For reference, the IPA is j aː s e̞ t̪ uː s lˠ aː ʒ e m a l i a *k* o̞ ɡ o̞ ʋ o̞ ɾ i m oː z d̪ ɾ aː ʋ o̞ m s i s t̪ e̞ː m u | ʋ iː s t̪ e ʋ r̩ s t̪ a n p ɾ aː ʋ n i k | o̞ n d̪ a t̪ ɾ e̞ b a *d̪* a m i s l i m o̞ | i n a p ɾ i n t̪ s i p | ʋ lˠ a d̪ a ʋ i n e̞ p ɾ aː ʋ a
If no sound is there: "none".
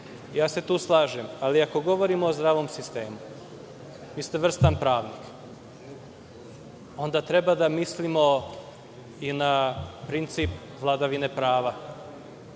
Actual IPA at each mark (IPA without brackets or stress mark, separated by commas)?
k, d̪